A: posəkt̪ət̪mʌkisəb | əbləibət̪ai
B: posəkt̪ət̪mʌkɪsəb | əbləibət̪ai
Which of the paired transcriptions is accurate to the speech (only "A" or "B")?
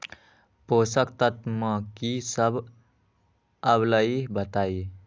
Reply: A